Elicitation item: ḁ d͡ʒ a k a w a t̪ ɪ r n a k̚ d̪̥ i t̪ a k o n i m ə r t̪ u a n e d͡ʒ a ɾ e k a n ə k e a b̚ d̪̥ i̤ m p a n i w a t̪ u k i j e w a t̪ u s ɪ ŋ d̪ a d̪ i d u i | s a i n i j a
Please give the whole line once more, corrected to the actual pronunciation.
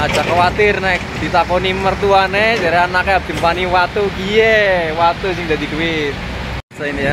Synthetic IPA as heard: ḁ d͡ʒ a k a w a t̪ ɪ r n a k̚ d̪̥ i t̪ a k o n i m ə r t̪ u a n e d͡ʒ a ɾ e a n a k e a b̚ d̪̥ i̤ m p a n i w a t̪ u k i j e w a t̪ u s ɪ ŋ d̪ a d̪ i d u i | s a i n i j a